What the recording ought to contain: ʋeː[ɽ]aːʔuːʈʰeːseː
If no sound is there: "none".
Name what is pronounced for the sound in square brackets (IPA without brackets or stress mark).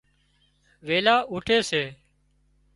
l